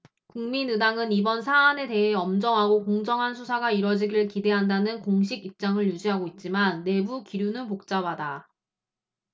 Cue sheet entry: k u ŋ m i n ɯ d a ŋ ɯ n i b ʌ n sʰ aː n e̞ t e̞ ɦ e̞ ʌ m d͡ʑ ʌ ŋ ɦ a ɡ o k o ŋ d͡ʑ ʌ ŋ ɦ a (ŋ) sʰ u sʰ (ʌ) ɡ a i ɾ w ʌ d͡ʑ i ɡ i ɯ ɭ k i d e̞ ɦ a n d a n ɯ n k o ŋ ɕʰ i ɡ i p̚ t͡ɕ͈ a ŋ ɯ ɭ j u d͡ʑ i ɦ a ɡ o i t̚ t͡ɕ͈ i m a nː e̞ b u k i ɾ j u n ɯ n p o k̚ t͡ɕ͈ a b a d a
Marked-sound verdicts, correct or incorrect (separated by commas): incorrect, incorrect